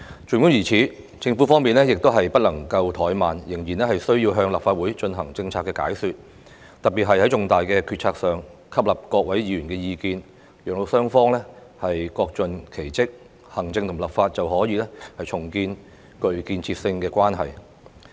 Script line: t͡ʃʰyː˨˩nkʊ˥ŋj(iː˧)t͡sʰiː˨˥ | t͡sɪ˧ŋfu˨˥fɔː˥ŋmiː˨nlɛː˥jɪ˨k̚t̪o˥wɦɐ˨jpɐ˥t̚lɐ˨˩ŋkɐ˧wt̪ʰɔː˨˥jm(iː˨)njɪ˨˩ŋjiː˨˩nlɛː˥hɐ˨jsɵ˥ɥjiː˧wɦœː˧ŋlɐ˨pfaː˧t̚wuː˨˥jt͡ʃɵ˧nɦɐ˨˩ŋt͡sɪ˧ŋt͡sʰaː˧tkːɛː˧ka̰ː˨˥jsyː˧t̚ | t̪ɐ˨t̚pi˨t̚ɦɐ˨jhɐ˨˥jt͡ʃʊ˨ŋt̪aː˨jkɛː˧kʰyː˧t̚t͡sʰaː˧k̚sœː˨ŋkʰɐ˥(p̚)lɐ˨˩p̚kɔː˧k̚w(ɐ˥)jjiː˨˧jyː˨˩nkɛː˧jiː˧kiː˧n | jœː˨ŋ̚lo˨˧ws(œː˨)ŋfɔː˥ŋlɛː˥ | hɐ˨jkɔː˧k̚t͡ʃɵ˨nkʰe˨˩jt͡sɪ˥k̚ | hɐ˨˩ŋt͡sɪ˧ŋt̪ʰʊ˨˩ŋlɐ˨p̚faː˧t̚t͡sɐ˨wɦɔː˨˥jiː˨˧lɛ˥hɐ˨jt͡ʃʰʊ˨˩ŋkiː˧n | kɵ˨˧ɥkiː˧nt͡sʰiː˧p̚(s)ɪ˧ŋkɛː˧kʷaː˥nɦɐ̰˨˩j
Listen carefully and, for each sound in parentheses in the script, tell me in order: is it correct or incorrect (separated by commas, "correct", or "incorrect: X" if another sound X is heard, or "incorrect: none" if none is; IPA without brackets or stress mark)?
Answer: incorrect: iː˨˩, incorrect: aː˨, correct, incorrect: ɐ˨˥, incorrect: œː˥, correct